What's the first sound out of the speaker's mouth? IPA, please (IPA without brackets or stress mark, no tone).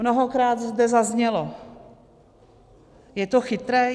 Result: n